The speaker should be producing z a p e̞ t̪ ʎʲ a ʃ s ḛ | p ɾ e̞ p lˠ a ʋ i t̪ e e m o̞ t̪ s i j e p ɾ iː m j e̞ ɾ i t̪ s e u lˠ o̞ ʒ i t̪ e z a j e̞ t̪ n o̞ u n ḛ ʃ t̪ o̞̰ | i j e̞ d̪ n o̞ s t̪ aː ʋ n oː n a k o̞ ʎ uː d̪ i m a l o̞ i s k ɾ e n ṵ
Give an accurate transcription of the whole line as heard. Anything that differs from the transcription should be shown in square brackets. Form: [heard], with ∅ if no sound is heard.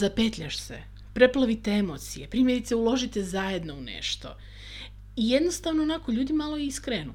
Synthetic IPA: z a p e̞ t̪ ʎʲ a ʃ s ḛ | p ɾ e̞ p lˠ a ʋ i t̪ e e m o̞ t̪ s i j e p ɾ iː m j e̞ ɾ i t̪ s e u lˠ o̞ ʒ i t̪ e z a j e̞ [d̪] n o̞ u n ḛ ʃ t̪ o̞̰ | i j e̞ d̪ n o̞ s t̪ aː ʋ n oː n a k o̞ ʎ uː d̪ i m a l o̞ i s k ɾ e n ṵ